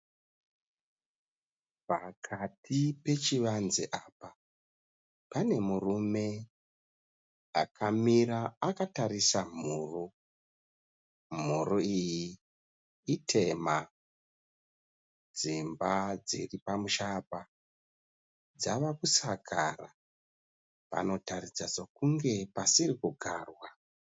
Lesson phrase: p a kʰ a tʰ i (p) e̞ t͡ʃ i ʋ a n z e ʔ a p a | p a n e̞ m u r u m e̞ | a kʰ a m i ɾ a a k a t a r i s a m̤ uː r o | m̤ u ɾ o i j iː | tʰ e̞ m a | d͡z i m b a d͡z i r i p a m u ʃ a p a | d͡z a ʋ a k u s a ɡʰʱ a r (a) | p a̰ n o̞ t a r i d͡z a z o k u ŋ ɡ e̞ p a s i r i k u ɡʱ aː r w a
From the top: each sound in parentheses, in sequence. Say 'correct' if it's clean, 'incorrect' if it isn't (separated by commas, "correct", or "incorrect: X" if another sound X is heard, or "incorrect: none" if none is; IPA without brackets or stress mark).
correct, correct